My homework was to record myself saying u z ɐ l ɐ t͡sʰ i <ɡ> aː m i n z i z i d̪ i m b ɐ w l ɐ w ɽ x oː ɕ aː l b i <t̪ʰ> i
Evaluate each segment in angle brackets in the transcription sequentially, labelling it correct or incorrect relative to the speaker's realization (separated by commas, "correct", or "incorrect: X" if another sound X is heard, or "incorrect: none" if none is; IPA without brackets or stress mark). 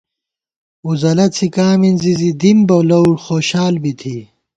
incorrect: k, correct